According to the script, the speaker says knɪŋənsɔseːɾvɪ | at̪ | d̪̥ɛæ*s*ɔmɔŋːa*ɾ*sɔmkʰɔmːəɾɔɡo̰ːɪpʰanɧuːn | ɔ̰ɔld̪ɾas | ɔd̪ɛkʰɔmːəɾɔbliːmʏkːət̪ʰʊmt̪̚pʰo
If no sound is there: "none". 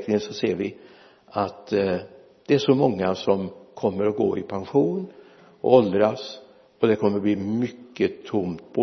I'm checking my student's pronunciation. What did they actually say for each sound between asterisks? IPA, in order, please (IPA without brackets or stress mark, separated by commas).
ʂ, none